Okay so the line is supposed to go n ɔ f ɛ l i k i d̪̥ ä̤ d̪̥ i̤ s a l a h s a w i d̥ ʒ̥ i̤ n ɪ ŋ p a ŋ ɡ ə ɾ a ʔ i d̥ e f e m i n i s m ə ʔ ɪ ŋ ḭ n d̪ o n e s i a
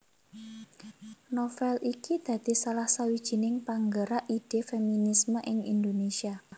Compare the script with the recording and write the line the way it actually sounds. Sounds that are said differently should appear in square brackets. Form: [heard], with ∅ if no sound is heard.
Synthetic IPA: n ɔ f ɛ l i k i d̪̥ ä̤ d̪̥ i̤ s a l a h s a w i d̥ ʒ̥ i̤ n ɪ ŋ p a ŋ ɡ ə ɾ a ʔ i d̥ e f e m i n i s m ə ʔ ɪ ŋ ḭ n d̪ o n e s i a